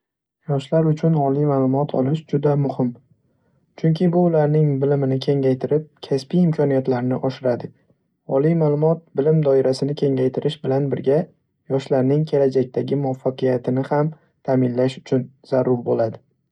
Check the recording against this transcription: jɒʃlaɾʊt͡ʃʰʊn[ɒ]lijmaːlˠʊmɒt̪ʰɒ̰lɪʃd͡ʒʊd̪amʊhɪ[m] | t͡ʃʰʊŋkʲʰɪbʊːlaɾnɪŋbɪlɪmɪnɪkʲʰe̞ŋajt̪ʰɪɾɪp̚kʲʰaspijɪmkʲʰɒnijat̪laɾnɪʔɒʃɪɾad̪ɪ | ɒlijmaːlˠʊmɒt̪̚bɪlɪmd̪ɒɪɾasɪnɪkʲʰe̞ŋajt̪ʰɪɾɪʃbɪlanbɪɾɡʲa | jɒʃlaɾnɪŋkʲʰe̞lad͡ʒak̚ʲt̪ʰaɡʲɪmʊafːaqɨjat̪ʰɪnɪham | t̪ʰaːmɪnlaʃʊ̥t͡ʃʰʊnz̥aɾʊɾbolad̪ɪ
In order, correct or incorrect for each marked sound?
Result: correct, correct

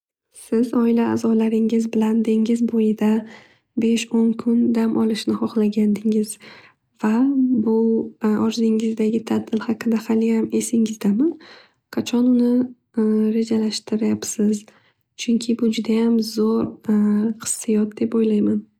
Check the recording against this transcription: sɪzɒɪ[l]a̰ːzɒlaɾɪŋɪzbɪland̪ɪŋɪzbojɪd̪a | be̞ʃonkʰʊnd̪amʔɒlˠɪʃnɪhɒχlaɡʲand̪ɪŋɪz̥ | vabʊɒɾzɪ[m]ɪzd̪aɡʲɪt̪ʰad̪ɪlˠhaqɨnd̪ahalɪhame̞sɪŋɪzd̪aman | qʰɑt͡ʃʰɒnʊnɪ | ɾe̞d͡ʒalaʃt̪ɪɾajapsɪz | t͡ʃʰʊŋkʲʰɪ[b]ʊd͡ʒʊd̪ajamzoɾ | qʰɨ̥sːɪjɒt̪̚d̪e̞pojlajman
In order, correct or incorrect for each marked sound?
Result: correct, incorrect, correct

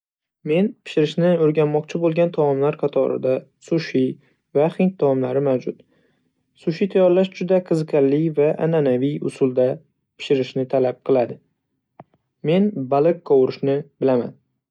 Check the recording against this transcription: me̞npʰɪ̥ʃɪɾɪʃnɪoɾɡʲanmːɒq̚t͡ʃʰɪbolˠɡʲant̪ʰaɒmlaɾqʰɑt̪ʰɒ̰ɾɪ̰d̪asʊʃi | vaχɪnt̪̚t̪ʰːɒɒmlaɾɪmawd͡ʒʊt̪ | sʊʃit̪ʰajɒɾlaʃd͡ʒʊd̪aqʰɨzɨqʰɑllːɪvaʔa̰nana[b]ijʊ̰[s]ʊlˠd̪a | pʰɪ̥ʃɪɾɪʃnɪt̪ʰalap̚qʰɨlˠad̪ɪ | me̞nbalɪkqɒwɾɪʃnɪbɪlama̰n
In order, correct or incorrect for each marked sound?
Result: incorrect, correct

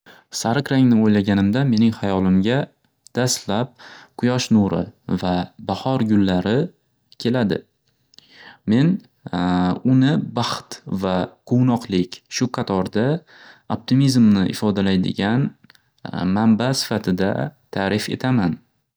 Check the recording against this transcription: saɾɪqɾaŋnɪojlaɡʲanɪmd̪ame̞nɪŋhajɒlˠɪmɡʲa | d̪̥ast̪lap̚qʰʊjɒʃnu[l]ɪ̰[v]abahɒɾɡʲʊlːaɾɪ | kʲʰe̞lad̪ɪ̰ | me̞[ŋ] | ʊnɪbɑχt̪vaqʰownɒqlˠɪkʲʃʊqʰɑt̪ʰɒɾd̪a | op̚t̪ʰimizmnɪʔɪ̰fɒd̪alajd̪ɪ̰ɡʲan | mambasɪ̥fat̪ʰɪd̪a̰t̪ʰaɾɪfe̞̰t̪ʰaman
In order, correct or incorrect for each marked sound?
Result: incorrect, correct, incorrect

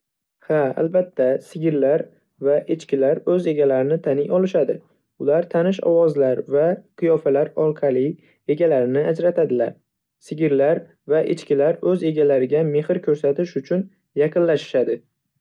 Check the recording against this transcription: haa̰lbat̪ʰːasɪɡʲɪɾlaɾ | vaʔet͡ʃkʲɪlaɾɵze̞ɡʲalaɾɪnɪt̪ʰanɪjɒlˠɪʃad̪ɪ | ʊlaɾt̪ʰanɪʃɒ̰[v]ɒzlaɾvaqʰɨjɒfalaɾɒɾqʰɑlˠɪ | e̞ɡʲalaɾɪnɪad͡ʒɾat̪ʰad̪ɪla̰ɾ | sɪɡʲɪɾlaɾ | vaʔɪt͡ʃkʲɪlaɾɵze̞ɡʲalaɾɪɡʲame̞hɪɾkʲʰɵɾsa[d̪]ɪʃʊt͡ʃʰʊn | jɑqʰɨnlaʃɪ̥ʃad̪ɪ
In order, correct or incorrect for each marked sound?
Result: incorrect, incorrect

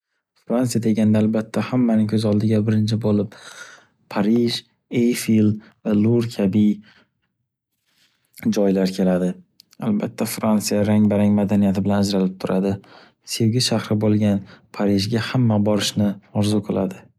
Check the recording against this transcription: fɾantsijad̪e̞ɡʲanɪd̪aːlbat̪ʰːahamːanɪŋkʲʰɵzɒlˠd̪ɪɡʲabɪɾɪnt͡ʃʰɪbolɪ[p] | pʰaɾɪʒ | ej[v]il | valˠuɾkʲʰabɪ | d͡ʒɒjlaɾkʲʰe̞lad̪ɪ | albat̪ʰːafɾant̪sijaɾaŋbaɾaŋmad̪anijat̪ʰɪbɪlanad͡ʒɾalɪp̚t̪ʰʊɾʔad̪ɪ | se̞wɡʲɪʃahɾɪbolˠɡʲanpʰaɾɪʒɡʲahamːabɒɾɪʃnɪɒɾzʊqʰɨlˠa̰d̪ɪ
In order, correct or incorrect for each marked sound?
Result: correct, incorrect

